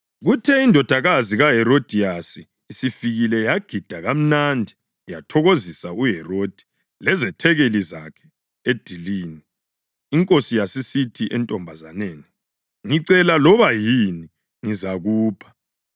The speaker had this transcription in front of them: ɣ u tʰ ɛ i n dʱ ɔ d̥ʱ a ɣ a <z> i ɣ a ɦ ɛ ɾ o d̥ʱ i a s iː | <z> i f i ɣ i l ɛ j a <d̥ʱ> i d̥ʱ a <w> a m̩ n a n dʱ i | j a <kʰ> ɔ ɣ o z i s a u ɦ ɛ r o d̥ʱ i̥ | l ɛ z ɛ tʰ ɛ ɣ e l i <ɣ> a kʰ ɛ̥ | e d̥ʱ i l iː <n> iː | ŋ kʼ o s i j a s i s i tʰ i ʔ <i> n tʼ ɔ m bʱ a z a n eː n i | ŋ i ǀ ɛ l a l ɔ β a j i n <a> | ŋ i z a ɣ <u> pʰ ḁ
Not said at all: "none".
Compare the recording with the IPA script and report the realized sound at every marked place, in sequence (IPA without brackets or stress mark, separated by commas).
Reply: z, s, ɡ̥ʱ, ɣ, tʰ, z, n, ɛ, i, uː